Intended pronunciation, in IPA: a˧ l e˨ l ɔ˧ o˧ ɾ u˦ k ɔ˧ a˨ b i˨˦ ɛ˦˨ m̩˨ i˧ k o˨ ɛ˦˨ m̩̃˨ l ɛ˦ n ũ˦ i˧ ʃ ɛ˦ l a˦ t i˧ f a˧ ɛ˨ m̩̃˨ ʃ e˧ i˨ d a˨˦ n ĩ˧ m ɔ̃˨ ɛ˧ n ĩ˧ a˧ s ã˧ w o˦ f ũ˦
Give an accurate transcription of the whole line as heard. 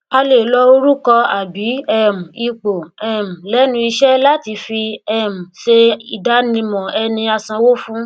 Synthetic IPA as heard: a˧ l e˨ l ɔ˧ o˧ ɾ u˦ k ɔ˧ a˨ b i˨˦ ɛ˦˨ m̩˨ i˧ k͡p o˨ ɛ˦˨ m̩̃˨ l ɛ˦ n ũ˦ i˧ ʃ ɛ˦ l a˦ t i˧ f i˧ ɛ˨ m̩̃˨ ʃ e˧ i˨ d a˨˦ n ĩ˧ m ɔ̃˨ ɛ˧ n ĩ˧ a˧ s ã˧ w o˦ f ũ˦